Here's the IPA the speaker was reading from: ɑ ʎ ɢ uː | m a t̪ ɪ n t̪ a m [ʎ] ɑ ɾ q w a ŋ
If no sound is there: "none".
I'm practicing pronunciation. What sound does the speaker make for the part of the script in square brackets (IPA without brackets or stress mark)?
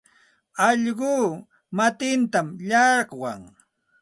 ʎ